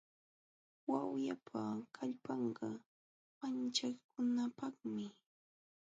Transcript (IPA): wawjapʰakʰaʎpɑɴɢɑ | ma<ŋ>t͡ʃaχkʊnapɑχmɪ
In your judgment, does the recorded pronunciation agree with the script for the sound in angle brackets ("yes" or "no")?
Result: no